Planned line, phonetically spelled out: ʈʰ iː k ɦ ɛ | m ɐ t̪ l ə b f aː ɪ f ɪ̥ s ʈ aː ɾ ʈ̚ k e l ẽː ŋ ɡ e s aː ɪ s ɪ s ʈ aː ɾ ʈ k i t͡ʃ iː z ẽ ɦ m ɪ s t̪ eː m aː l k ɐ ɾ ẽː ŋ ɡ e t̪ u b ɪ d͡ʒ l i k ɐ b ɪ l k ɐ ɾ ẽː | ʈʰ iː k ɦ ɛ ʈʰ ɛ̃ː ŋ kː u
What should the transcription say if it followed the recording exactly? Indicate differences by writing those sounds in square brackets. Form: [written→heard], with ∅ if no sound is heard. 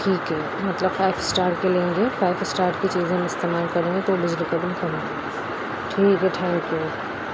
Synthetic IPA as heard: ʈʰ iː k ɦ ɛ | m ɐ t̪ l ə b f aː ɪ f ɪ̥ s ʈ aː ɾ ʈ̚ k e l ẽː ŋ ɡ e [s→f] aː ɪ [s→f] ɪ s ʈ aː ɾ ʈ k i t͡ʃ iː z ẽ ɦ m ɪ s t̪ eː m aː l k ɐ ɾ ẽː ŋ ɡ e t̪ [u→o] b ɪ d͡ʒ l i k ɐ b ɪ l k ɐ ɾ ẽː | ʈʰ iː k ɦ ɛ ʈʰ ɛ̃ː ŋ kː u